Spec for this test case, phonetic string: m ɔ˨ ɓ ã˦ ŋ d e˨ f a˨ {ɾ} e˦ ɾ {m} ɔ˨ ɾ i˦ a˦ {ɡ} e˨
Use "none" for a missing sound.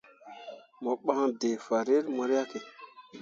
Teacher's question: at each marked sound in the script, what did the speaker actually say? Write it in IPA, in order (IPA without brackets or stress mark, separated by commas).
ɾ, m, k